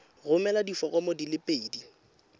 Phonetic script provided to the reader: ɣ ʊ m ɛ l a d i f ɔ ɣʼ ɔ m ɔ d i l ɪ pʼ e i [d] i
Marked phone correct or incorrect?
correct